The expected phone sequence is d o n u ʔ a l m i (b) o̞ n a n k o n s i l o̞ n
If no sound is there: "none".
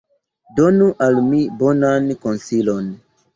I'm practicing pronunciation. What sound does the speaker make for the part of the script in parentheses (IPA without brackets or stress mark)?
b